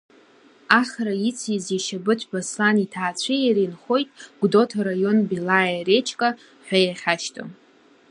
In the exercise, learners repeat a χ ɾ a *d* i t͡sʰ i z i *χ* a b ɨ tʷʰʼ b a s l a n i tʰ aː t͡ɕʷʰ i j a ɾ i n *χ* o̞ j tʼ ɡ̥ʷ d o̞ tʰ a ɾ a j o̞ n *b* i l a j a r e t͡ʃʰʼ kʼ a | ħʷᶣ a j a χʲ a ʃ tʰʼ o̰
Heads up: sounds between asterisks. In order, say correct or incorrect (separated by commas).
incorrect, incorrect, correct, correct